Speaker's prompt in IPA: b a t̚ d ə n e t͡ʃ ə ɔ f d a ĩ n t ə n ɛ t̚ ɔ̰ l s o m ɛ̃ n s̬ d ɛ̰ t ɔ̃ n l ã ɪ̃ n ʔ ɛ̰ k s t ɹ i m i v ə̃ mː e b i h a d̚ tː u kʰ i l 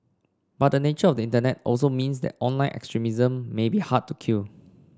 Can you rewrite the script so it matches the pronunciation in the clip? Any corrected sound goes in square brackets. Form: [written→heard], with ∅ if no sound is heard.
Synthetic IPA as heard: b a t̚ d ə n e t͡ʃ ə ɔ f d [a→ə] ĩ n t ə n ɛ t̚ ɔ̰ l s o m [ɛ̃→ĩ] n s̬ d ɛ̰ t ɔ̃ n l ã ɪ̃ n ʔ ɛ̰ k s t ɹ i m i [v→z] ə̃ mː e b i h a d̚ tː u kʰ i l